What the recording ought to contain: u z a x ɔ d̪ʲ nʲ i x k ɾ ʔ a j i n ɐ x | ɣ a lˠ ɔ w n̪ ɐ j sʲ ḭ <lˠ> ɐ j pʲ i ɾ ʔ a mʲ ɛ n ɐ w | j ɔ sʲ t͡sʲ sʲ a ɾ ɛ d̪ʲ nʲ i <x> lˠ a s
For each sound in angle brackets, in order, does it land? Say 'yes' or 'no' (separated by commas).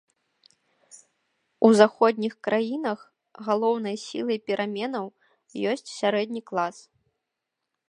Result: yes, no